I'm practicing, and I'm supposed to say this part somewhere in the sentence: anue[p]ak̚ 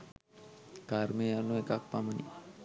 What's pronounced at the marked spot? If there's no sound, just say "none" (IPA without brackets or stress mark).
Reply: k